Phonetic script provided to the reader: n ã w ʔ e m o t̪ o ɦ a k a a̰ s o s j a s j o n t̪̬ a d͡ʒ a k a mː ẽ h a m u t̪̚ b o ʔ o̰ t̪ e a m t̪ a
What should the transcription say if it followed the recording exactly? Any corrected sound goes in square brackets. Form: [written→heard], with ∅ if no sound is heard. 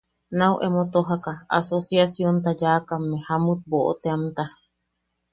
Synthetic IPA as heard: n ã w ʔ e m o t̪ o ɦ a k a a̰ s o s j a s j o n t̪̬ a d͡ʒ a k a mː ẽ h a m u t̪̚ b o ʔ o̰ t̪ e a m t̪ a